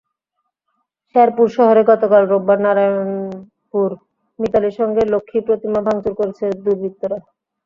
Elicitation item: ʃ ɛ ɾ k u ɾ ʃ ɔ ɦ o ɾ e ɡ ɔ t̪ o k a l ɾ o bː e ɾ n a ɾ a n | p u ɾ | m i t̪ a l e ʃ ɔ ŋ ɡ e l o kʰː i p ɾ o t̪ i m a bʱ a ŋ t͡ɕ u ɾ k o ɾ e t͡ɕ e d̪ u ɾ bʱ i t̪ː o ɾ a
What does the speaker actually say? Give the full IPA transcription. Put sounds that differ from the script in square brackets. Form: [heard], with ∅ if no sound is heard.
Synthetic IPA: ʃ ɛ ɾ [p] u ɾ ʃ ɔ ɦ o ɾ e ɡ ɔ t̪ o k a l ɾ o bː [a] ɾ n a ɾ a n | p u ɾ | m i t̪ a l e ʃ ɔ ŋ ɡ e l o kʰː i p ɾ o t̪ i m a bʱ a ŋ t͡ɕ u ɾ k o ɾ e [t͡ɕʰ] e d̪ u ɾ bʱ i t̪ː o ɾ a